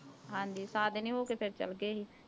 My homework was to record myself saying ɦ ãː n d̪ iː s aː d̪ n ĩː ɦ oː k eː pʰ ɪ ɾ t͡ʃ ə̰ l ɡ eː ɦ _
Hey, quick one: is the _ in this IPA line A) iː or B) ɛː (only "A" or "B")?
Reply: A